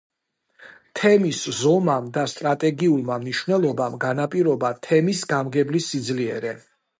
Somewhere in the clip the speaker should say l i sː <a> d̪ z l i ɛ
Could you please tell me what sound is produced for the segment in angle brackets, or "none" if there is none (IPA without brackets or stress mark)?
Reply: i